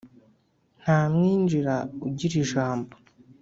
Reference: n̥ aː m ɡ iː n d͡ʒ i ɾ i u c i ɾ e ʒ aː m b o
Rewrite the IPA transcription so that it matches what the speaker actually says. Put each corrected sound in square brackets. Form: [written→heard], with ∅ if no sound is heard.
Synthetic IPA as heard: n̥ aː m [ɡ→ŋ] iː n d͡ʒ i ɾ [i→a] u [c→ɟ] i ɾ [e→i] ʒ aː m b o